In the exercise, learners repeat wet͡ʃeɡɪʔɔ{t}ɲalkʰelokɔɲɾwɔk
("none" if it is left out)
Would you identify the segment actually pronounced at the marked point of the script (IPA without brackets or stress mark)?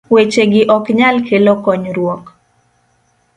k